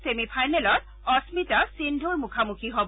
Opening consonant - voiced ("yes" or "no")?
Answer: no